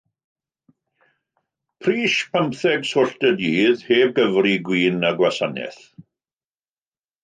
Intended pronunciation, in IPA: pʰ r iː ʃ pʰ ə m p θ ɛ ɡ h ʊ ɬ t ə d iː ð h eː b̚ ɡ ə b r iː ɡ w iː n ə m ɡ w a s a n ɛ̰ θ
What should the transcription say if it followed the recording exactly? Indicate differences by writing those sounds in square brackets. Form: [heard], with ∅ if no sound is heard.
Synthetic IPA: pʰ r iː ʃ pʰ ə m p θ ɛ ɡ [s] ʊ ɬ t ə d iː ð h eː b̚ ɡ ə [v] r [i] ɡ w iː n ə [∅] ɡ w a s a n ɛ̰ θ